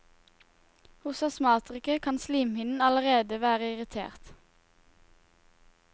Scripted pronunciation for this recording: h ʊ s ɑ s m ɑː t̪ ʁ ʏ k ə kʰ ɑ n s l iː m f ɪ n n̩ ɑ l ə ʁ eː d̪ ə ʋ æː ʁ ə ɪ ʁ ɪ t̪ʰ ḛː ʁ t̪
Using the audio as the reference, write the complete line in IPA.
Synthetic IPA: h ʊ s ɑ s m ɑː t̪ ʁ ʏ k ə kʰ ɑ n s l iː m h ɪ n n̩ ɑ l ə ʁ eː d̪ ə ʋ æː ʁ ə ɪ ʁ ɪ t̪ʰ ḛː ʁ t̪